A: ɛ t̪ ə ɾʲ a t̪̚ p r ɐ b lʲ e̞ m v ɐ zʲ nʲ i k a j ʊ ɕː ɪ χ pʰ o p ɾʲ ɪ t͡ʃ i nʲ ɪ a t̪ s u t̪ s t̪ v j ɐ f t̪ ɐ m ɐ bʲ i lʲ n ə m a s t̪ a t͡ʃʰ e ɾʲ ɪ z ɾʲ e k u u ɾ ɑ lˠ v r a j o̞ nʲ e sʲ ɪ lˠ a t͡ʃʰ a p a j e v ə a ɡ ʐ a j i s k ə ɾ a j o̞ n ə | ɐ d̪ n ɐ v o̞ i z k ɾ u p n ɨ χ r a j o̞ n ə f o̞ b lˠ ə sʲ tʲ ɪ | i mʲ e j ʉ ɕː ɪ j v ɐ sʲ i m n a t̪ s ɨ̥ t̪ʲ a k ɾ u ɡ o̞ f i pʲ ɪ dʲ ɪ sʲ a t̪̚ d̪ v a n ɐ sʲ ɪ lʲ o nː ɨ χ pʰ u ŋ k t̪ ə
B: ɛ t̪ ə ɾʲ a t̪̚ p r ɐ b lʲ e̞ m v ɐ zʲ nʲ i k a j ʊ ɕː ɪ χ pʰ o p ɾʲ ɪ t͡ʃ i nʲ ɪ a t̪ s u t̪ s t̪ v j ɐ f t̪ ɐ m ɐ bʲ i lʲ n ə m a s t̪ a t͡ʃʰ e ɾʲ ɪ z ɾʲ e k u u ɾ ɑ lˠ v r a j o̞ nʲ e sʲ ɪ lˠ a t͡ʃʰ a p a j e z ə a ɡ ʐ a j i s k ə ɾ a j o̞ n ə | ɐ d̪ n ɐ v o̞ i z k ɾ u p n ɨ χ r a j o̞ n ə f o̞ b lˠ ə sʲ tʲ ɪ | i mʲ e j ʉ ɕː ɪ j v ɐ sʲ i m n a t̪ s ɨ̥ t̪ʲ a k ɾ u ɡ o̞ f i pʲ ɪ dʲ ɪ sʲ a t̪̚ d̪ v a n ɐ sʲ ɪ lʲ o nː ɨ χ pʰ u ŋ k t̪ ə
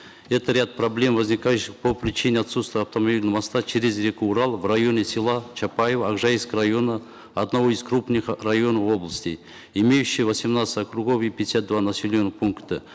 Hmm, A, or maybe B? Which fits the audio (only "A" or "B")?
A